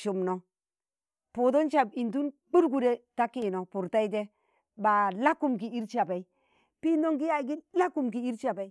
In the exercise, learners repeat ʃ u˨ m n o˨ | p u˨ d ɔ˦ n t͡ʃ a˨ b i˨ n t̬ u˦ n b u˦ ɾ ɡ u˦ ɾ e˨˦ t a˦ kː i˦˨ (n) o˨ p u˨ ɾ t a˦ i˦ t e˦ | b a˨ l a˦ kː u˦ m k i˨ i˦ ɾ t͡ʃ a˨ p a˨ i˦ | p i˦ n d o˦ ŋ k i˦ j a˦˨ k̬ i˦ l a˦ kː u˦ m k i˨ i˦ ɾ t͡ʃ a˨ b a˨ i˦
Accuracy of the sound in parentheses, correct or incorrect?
correct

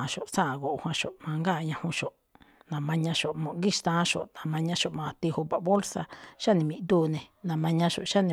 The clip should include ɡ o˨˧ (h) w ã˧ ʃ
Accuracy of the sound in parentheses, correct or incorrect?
correct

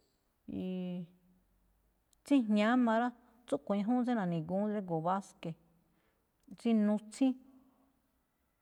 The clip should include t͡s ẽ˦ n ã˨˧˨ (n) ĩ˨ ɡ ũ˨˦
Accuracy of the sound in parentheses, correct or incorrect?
correct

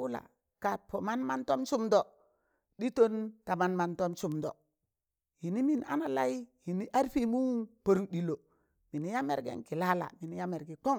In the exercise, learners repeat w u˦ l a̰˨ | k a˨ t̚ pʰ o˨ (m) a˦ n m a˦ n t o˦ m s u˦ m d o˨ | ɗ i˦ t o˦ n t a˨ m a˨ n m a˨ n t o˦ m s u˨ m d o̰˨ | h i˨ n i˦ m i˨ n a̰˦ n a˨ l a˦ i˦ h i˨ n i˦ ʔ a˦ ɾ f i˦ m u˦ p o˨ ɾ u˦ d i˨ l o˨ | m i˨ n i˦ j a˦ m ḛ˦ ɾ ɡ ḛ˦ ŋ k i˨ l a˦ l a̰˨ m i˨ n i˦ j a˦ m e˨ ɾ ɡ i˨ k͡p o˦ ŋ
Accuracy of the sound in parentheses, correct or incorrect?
correct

